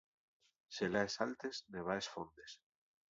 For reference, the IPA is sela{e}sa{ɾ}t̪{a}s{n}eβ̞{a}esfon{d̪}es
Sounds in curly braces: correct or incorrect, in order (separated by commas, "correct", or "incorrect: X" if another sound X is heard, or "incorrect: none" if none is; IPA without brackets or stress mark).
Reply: correct, incorrect: l, incorrect: e, correct, correct, correct